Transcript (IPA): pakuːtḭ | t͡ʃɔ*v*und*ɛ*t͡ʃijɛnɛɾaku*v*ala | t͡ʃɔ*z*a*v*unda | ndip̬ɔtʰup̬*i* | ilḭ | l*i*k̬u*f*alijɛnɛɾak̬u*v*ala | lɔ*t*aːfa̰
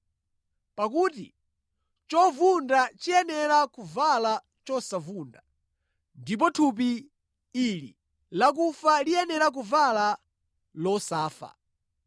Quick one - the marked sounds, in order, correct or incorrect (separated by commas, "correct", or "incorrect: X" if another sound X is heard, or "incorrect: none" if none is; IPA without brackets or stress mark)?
correct, incorrect: a, correct, incorrect: s, correct, correct, incorrect: a, correct, correct, incorrect: s